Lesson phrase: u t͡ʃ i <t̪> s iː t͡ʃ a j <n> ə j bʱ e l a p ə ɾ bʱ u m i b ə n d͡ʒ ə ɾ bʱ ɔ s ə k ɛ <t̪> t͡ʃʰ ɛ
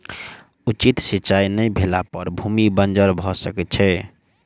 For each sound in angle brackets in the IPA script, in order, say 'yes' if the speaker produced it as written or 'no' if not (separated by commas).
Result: yes, yes, yes